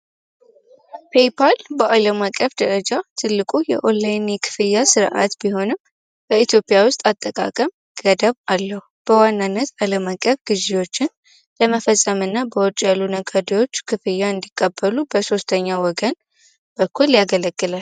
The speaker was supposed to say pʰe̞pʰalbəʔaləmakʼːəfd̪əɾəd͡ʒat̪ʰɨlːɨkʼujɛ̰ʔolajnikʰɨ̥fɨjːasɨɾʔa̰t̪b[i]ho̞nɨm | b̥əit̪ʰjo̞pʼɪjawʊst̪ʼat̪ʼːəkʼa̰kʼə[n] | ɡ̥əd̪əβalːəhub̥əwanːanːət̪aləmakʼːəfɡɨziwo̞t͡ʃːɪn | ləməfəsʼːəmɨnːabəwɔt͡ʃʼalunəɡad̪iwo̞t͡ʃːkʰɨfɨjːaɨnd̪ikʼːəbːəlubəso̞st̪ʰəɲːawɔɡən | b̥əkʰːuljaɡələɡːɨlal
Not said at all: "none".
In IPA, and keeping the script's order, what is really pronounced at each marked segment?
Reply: i, m

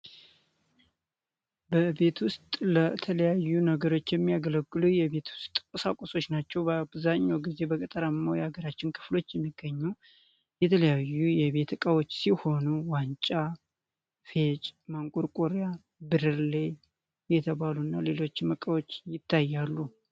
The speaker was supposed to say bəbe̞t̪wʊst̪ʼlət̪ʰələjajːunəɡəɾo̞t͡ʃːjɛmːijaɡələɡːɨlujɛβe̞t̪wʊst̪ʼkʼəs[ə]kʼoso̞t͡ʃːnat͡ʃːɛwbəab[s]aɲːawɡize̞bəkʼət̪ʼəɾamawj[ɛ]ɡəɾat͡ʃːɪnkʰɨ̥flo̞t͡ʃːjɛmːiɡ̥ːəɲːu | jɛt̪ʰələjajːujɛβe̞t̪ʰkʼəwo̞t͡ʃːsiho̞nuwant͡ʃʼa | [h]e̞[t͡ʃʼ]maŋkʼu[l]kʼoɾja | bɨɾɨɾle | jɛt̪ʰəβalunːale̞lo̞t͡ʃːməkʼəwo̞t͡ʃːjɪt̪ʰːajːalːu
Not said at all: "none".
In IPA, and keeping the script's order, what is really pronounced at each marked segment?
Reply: a, z, a, f, t͡ʃʼ, ɾ

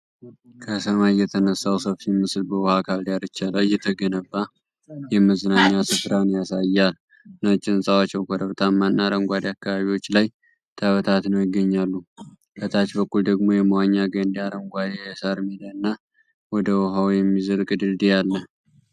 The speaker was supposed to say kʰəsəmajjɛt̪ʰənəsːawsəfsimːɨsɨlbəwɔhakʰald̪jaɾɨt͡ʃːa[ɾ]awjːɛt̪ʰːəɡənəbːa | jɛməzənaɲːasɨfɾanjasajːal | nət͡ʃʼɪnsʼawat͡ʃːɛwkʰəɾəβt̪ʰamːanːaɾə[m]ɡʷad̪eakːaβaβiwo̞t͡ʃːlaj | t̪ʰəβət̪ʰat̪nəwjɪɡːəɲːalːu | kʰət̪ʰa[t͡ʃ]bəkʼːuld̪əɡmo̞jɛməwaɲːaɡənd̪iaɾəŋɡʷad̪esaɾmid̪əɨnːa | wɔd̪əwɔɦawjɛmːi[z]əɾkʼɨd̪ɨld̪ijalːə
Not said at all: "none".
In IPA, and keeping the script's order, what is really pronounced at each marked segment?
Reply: l, ŋ, t͡ʃ, z

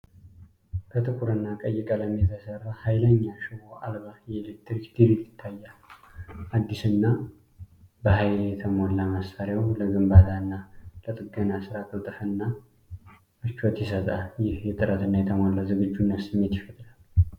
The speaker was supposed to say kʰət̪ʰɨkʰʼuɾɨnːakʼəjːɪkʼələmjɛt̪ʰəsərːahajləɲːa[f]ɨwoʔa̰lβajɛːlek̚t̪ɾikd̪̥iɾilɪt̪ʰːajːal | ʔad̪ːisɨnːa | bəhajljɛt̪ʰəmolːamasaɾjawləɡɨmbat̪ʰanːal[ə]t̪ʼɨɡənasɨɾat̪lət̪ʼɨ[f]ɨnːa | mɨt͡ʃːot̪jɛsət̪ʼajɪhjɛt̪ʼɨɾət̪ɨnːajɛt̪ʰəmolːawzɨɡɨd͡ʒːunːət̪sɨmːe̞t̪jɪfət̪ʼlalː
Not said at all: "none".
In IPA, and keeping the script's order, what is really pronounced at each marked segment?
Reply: ʃ, ə, f

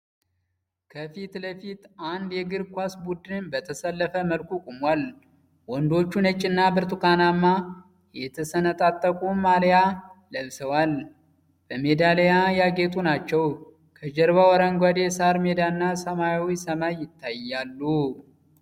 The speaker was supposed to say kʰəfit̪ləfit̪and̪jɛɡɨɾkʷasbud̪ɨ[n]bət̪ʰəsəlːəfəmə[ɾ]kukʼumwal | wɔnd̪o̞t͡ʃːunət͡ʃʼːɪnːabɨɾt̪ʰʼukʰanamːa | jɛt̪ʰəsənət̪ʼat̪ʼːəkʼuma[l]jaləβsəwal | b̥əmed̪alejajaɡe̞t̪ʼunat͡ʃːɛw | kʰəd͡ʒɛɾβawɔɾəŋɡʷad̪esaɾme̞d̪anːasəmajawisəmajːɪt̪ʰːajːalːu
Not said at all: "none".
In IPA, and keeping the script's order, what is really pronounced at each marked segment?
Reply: n, l, l

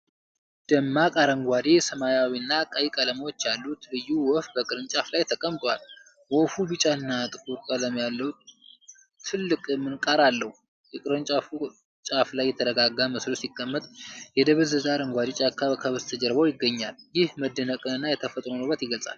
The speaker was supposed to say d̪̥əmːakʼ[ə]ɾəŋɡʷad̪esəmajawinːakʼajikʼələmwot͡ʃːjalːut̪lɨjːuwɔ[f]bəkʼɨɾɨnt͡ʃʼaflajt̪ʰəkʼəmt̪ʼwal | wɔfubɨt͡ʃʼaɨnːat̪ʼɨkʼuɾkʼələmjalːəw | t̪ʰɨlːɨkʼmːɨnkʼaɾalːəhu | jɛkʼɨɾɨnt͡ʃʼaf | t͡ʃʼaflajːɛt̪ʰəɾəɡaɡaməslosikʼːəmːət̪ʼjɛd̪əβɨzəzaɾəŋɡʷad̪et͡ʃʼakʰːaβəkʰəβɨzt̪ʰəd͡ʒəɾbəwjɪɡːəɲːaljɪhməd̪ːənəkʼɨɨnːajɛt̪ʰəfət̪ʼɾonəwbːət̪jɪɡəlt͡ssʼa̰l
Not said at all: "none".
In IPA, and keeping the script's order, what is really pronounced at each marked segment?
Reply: a, f

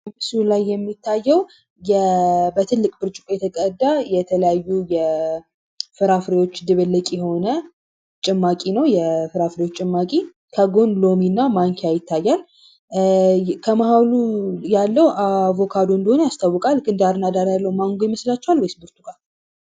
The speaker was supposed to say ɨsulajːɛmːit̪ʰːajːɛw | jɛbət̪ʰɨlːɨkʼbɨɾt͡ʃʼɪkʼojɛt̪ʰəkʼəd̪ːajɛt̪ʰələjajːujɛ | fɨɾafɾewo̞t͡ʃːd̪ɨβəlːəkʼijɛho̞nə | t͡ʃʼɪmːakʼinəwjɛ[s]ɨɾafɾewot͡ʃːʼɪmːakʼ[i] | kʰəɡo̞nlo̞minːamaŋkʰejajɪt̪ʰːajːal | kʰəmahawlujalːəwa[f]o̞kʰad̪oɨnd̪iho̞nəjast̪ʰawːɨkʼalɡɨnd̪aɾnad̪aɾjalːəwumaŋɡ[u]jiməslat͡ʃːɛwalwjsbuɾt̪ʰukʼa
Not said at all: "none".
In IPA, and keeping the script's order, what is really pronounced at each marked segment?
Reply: f, i, v, o

